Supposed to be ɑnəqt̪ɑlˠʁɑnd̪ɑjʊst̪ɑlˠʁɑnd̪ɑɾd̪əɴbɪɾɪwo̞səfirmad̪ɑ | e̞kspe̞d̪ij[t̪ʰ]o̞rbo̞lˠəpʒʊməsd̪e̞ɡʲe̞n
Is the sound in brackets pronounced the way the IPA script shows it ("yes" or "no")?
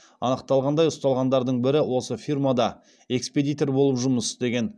no